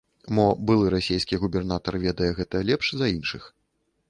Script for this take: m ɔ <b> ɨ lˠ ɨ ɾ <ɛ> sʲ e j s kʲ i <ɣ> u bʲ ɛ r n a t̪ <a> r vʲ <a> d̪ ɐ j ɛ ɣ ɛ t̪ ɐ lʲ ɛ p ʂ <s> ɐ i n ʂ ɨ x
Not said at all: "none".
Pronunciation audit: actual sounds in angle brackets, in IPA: b, a, ɣ, ɐ, ɛ, z

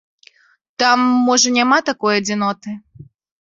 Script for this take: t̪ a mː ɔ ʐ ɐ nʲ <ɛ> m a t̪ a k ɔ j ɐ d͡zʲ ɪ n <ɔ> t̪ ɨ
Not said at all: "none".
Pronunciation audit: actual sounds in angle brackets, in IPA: a, ɔ

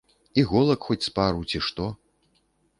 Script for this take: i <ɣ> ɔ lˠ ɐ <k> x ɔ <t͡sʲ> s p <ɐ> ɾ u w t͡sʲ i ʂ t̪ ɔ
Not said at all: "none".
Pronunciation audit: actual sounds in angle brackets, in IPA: ɣ, k, t͡sʲ, a

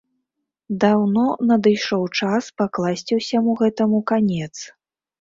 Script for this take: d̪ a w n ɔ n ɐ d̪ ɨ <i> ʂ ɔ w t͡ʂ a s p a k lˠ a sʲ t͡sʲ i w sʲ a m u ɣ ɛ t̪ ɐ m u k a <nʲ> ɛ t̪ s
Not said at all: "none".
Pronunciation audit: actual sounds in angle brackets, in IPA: j, nʲ

